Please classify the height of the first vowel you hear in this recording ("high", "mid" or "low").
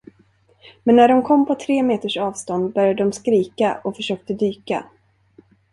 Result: mid